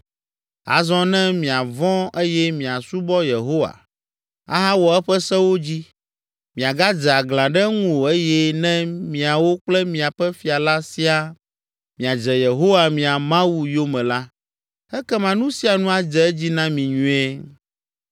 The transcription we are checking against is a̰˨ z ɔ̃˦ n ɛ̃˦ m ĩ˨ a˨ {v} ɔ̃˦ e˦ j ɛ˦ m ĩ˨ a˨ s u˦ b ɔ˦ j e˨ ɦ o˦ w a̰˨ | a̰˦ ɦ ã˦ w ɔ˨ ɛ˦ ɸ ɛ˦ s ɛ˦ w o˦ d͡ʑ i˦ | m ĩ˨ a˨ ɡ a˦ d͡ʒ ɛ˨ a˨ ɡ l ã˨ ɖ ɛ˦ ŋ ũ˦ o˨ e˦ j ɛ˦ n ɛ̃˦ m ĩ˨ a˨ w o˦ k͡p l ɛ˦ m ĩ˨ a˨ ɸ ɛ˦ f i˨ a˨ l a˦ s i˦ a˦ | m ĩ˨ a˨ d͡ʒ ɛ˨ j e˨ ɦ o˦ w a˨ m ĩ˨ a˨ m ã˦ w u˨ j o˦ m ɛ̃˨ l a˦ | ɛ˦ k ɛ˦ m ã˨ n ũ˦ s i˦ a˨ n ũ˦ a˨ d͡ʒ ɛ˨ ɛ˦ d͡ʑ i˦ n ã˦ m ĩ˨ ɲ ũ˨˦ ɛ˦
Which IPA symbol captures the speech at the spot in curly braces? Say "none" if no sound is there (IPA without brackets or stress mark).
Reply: v